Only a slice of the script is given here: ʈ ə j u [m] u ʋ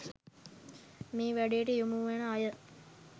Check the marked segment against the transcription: correct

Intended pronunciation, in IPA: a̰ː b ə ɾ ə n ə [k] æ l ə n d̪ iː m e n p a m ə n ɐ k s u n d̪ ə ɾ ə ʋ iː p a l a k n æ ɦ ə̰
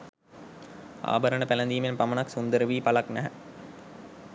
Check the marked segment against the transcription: incorrect: p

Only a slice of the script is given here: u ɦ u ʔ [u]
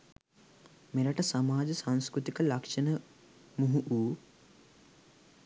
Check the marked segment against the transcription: incorrect: uː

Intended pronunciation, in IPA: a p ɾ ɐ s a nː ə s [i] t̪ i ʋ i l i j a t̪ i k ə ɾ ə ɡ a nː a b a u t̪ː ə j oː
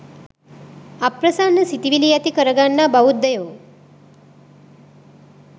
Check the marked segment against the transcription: correct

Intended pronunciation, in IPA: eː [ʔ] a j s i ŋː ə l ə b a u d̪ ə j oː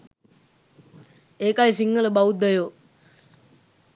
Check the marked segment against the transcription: incorrect: k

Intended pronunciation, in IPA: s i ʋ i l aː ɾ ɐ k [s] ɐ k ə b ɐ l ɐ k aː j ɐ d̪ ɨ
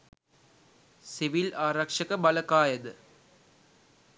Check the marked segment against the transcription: incorrect: ʂ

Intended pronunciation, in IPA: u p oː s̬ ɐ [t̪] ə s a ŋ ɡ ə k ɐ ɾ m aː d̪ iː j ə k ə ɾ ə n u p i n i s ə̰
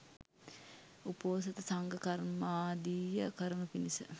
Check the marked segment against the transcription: correct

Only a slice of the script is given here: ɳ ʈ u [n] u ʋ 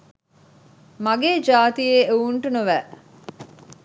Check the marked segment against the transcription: correct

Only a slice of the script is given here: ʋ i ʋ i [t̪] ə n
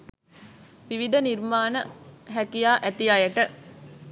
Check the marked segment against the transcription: incorrect: d̪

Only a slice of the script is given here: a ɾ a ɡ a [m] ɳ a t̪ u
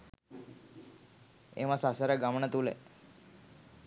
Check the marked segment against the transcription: correct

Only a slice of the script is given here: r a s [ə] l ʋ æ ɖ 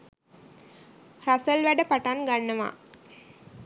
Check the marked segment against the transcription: correct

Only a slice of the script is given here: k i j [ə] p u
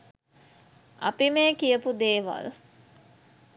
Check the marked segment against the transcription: correct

